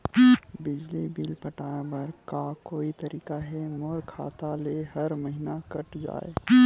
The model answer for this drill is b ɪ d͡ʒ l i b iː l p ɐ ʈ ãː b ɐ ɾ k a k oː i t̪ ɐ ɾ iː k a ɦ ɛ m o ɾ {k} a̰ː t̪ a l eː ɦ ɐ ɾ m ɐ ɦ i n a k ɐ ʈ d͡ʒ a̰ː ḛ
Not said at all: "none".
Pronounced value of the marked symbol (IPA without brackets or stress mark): kʰ